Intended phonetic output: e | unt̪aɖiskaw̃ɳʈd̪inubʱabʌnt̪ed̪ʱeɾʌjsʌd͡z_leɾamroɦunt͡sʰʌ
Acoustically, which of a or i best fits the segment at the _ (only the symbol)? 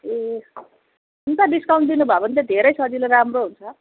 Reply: i